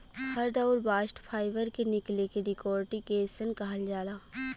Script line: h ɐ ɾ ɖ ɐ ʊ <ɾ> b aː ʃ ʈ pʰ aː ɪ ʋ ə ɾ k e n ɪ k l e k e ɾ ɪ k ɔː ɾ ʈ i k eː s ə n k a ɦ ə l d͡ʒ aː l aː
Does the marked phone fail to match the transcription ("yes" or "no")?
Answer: no